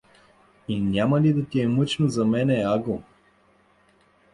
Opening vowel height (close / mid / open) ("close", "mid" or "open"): close